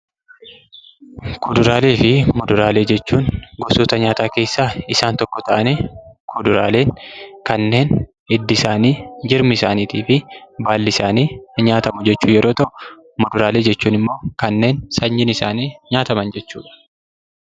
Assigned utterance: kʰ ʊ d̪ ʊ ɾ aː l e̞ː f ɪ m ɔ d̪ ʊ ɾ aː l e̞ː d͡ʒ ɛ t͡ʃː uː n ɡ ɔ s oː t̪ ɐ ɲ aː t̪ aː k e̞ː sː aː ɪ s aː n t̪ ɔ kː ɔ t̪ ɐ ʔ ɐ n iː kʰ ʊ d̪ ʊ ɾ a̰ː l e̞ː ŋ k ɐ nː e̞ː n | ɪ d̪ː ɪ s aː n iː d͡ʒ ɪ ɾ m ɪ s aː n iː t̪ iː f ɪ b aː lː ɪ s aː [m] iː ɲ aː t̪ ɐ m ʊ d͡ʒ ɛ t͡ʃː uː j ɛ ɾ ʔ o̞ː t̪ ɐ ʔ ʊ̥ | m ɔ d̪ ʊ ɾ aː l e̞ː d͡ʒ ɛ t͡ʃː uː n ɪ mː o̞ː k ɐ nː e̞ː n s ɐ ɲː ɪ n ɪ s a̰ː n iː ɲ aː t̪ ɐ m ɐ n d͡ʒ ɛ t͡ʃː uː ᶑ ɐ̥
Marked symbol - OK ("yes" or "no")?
no